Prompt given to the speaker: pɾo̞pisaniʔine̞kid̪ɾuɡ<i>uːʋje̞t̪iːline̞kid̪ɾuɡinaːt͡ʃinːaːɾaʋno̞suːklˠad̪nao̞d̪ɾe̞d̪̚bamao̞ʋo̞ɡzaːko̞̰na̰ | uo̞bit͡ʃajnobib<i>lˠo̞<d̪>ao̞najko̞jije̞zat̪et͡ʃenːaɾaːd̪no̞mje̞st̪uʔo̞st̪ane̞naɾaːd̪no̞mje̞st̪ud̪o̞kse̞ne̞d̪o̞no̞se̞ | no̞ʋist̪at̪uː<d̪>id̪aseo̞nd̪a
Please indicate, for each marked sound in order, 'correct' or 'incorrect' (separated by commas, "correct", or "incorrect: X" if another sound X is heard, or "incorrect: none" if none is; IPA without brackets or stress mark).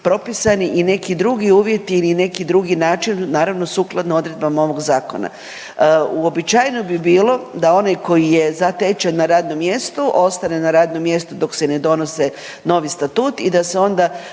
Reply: correct, incorrect: iː, correct, incorrect: t̪